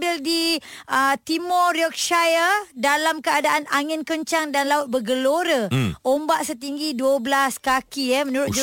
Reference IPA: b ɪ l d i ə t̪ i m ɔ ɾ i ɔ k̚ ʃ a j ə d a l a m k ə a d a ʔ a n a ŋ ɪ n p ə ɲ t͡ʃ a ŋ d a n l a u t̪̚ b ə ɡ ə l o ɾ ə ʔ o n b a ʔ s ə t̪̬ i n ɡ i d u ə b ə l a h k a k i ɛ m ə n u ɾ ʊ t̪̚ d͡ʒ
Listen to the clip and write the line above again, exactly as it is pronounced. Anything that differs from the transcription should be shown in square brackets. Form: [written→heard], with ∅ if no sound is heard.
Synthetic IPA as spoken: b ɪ l d i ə t̪ i m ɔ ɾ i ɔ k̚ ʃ a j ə d a l a m k ə a d a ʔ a n a ŋ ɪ n [p→k] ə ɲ t͡ʃ a ŋ d a n l a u t̪̚ b ə ɡ ə l o ɾ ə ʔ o [n→m] b a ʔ s ə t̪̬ i [n→ŋ] ɡ i d u ə b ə l a [h→s] k a k i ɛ m ə n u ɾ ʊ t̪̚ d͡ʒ